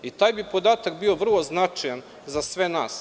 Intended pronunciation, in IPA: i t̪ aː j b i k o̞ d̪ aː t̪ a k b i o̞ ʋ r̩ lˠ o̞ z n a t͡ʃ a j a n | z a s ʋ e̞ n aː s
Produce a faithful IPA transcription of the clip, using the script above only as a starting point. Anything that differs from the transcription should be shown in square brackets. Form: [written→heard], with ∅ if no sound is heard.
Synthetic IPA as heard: i t̪ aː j b i [k→p] o̞ d̪ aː t̪ a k b i o̞ ʋ r̩ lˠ o̞ z n a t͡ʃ a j a n | z a s ʋ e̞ n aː s